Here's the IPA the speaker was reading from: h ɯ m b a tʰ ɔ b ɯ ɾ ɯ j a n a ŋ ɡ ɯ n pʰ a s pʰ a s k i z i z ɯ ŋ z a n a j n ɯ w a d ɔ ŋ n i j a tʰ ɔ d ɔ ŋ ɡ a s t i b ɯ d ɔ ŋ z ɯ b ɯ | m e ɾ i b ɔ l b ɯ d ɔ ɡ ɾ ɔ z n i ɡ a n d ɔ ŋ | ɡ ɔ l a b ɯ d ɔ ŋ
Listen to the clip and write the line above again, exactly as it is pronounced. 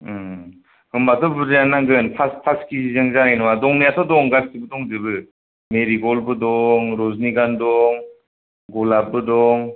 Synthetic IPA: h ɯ m b a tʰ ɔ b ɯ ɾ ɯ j a n a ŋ ɡ ɯ n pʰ a s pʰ a s k i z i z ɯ ŋ z a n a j n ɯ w a d ɔ ŋ n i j a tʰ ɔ d ɔ ŋ ɡ a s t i b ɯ d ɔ ŋ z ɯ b ɯ | m e ɾ i ɡ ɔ l b ɯ d ɔ ŋ ɾ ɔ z n i ɡ a n d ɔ ŋ | ɡ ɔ l a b ɯ d ɔ ŋ